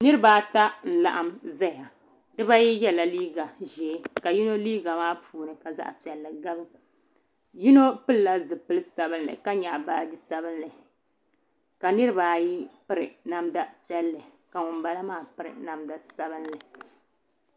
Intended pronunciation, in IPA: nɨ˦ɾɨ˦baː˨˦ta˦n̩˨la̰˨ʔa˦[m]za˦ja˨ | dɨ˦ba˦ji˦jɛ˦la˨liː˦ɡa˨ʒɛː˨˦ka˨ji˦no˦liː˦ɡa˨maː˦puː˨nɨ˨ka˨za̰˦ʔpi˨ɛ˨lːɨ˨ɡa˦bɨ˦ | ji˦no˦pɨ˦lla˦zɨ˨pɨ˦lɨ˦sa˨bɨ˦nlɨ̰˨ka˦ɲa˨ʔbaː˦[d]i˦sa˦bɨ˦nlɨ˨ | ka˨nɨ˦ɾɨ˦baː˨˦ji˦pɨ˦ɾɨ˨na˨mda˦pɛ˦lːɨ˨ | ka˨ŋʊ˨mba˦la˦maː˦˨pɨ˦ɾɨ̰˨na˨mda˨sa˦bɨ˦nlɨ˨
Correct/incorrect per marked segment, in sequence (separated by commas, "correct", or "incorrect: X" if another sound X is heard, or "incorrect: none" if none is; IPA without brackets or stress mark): correct, correct